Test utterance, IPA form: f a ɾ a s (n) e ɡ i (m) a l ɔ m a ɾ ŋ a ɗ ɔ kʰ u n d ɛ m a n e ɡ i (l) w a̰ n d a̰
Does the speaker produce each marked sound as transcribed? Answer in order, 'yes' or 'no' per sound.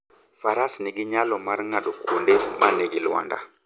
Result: yes, no, yes

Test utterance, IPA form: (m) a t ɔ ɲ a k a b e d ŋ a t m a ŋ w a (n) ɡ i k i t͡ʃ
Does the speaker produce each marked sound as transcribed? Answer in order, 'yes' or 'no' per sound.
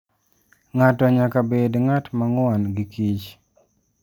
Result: no, yes

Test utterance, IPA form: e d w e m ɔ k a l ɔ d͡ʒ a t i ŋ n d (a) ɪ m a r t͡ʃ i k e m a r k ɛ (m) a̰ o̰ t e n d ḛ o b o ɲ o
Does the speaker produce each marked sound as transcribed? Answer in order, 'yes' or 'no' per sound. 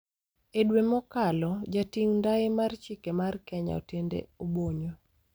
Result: yes, no

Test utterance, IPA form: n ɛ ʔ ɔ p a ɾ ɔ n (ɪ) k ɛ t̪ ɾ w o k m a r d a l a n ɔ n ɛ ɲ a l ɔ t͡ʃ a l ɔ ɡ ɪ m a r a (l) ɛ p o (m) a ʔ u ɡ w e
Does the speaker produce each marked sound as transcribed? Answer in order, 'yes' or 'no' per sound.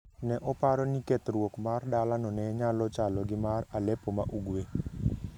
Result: no, yes, yes

